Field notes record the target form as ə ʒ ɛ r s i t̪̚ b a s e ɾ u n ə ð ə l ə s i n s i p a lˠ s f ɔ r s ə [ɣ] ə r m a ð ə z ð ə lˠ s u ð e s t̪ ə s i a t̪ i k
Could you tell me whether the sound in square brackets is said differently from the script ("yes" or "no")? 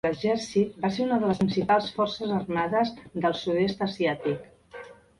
yes